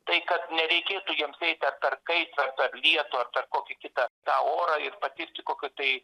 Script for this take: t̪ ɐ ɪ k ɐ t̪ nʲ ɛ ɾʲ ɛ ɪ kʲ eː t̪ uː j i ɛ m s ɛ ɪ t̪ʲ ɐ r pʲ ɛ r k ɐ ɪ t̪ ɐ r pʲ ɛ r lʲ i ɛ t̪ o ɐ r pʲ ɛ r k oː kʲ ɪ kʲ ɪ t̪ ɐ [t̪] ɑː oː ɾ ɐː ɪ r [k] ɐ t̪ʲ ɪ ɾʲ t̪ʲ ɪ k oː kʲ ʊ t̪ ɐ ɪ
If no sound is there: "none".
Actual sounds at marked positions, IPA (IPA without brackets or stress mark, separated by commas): t̪, p